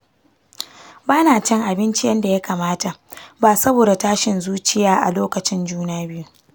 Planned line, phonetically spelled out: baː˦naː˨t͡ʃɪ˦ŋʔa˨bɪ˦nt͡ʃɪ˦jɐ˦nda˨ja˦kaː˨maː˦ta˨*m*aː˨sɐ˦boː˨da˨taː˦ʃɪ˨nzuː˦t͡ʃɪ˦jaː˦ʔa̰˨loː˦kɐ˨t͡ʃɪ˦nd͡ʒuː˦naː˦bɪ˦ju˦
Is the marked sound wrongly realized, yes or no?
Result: yes